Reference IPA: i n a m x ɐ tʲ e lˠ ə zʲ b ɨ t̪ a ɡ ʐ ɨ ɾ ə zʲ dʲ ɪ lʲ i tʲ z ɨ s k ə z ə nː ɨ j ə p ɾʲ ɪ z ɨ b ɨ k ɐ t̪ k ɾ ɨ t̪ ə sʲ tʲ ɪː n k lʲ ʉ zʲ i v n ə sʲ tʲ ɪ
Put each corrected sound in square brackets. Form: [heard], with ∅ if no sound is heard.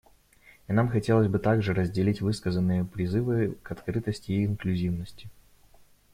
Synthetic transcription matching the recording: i n a m x ɐ tʲ e lˠ ə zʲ b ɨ t̪ a ɡ ʐ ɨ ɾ ə zʲ dʲ ɪ lʲ i tʲ [v] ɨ s k ə z ə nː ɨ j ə p ɾʲ ɪ z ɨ [v] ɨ k ɐ t̪ k ɾ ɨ t̪ ə sʲ tʲ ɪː n k lʲ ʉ zʲ i v n ə sʲ tʲ ɪ